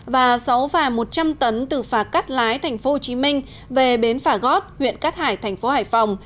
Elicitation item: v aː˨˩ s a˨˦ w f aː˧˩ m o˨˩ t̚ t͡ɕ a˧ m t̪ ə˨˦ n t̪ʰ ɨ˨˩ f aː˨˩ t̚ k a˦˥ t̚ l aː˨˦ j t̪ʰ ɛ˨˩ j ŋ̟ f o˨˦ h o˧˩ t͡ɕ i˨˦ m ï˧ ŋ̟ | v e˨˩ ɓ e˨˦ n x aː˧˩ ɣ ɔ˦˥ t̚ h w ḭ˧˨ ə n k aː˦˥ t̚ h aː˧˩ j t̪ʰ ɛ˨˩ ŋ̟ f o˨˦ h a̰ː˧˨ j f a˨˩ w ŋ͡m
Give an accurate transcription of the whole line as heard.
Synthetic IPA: v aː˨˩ s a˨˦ w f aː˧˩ m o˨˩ t̚ t͡ɕ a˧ m t̪ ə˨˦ n t̪ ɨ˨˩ f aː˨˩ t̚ k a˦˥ t̚ l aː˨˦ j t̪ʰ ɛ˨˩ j ŋ̟ f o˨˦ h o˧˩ t͡ɕ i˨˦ m ï˧ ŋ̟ | v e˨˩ ɓ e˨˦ n f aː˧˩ ɣ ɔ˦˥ t̚ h w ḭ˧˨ ə n k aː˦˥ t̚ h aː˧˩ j t̪ʰ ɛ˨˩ ŋ̟ f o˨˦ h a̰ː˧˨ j f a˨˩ w ŋ͡m

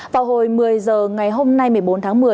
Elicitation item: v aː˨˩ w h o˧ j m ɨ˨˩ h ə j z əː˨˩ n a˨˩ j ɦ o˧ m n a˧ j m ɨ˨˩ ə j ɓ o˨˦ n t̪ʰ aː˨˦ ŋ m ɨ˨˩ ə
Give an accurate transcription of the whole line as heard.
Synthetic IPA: v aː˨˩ w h o˨˩ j m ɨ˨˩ ə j z əː˨˩ ŋ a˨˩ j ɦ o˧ m n a˧ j m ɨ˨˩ ə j ɓ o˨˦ n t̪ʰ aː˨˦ ŋ m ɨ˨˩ ə

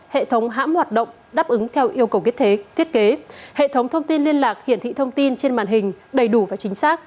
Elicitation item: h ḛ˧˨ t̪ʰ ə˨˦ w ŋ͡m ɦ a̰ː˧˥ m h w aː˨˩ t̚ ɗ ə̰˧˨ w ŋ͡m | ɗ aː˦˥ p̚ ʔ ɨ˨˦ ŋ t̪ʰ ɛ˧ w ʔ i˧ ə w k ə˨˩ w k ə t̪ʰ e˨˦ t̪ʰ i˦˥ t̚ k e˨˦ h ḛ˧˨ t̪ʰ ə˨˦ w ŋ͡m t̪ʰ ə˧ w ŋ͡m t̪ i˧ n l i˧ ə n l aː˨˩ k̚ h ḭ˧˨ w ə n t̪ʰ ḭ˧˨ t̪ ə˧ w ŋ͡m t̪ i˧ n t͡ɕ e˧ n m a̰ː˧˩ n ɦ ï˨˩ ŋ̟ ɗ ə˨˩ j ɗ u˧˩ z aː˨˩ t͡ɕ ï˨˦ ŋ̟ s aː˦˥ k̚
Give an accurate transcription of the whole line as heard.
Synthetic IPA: h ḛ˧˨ t̪ʰ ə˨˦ w ŋ͡m ɦ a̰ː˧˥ m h w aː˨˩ t̚ ɗ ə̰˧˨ w ŋ͡m | ɗ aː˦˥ p̚ ʔ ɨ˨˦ ŋ t̪ʰ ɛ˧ w ʔ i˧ ə w k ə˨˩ w k ə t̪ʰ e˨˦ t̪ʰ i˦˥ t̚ k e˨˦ h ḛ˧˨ t̪ʰ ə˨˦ w ŋ͡m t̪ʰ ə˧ w ŋ͡m t̪ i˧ n l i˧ ə n l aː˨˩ k̚ h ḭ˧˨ ə n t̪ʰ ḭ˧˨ t̪ʰ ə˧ w ŋ͡m t̪ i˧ n t͡ɕ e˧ n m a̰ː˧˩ n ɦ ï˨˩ ŋ̟ ɗ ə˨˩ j ɗ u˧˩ v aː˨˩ t͡ɕ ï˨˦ ŋ̟ s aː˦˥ k̚

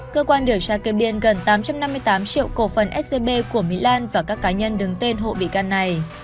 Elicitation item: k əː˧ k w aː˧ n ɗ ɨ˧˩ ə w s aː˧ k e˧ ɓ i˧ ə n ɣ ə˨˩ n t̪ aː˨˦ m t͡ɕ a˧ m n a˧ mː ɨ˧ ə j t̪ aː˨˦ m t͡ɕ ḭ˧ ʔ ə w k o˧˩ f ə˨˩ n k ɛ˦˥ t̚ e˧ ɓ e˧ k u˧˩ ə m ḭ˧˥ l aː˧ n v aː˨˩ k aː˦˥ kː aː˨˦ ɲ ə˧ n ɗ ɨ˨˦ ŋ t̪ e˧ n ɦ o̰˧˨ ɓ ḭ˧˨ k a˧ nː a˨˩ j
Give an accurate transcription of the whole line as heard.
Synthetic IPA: k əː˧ k w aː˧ n ɗ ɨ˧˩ ə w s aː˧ k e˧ ɓ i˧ ə n ɣ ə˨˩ n t̪ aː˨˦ m t͡ɕ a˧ m n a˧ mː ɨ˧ ə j t̪ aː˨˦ m t͡ɕ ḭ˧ ə w k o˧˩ f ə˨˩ n ʔ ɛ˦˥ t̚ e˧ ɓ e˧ k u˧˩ ə m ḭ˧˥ l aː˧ n v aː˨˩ k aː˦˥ kː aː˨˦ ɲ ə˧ n ɗ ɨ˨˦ ŋ t̪ e˧ n ɦ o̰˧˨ ɓ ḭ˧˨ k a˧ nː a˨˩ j

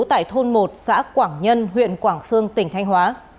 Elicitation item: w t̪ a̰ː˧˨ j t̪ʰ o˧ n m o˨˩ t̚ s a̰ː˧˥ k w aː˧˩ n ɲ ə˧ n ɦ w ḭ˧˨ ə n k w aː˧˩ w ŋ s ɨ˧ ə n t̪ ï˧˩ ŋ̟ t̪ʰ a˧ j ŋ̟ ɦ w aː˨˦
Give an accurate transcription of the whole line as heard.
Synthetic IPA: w t̪ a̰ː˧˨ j t̪ʰ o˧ n m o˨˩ t̚ s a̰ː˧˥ k w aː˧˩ ŋ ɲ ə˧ n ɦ w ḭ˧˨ ə n k w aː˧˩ ŋ s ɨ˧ ə ŋ t̪ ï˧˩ ŋ̟ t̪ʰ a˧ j ŋ̟ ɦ w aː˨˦

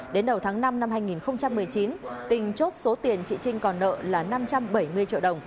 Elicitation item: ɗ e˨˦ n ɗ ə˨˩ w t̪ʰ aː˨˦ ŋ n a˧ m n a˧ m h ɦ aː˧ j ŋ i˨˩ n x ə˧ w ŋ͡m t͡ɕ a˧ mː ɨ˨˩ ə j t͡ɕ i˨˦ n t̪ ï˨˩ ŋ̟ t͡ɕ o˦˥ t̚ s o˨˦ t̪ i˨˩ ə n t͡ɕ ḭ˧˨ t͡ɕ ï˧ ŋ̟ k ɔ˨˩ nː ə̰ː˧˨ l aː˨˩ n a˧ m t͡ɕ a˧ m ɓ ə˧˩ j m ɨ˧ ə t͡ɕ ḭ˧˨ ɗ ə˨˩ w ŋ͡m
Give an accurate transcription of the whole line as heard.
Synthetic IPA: ɗ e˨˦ n ɗ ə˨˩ w t̪ʰ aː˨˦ ŋ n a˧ m n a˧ m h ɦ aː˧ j ŋ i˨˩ n x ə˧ w ŋ͡m t͡ɕ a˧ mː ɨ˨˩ ə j t͡ɕ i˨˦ n t̪ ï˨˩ ŋ̟ t͡ɕ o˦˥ t̚ s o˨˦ t̪ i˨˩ ə n t͡ɕ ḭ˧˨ t͡ɕ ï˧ ŋ̟ k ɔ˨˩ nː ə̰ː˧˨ l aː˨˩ n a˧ m t͡ɕ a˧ m ɓ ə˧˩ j m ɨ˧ ə t͡ɕ ḭ˧˨ ɗ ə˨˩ w ŋ͡m

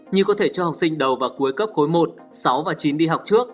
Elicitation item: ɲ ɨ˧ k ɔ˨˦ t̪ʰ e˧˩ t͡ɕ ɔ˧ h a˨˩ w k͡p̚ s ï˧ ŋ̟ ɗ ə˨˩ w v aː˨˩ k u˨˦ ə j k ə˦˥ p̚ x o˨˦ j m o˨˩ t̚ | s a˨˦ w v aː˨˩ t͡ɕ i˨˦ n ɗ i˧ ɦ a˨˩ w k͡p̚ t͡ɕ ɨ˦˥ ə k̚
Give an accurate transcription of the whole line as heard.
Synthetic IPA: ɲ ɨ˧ k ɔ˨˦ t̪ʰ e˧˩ t͡ɕ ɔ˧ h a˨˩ w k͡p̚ s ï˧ ŋ̟ ɗ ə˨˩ w v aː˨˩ k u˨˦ ə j k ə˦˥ p̚ x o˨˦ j m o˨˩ t̚ | s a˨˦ w v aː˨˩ t͡ɕ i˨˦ n ɗ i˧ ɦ a˨˩ w k͡p̚ t͡ɕ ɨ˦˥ ə k̚

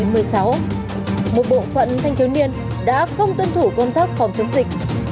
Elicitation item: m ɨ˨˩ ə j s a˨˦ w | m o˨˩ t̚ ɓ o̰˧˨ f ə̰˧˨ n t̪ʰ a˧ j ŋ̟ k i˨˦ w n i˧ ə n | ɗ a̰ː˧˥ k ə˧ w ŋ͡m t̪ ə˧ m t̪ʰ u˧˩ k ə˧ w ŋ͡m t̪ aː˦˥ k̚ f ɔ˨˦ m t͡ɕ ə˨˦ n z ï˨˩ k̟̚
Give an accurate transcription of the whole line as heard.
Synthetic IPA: m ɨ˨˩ ə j s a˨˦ w | m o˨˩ t̚ ɓ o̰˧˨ f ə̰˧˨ n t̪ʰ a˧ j ŋ̟ k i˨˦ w n i˧ ə n | ɗ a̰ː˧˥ x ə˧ w ŋ͡m t̪ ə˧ n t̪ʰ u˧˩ k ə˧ w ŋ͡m t̪ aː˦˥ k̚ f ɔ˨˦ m t͡ɕ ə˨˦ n z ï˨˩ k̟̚

